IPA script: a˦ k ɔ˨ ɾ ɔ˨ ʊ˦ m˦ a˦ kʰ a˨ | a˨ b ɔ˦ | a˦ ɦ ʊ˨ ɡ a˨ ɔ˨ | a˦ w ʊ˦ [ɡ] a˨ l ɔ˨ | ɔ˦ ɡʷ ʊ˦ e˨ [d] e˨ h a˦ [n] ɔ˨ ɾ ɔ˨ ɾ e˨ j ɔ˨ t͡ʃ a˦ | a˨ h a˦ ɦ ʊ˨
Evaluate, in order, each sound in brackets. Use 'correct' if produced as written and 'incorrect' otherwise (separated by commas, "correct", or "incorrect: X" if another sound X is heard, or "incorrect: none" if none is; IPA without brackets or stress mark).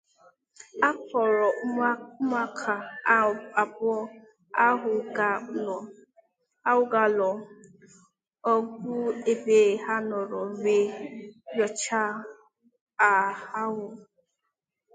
correct, incorrect: b, correct